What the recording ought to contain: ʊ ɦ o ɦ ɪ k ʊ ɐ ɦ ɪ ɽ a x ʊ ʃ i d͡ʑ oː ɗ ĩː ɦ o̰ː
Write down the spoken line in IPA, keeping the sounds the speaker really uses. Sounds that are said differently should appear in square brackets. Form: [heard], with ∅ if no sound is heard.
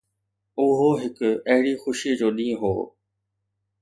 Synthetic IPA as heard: ʊ ɦ o ɦ ɪ k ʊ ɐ ɦ ɪ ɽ [i] x ʊ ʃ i d͡ʑ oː ɗ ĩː ɦ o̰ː